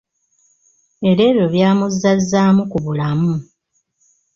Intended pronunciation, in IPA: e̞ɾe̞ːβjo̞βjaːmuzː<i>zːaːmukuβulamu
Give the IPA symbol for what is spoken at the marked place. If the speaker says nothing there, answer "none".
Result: a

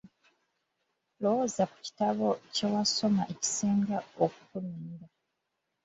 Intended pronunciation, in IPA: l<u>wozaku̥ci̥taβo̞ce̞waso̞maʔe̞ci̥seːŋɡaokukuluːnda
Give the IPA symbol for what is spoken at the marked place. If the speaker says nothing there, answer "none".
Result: o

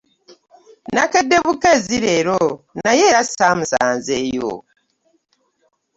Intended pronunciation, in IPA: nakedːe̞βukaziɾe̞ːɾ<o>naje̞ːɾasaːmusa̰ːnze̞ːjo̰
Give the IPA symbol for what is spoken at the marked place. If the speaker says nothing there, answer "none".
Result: o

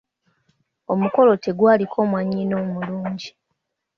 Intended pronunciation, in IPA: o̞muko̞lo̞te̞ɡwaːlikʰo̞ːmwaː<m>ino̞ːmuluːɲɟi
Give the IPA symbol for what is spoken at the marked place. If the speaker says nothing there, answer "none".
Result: ɲ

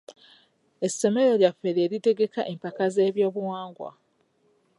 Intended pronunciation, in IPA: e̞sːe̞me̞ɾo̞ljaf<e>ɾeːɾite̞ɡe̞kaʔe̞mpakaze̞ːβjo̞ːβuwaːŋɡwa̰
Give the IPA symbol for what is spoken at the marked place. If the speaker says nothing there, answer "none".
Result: e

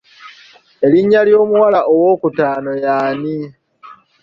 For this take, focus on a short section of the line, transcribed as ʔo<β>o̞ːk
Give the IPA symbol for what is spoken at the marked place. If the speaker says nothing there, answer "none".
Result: w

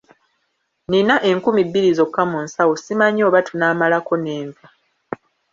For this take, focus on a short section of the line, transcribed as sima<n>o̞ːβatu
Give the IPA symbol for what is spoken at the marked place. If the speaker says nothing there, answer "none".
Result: ɲ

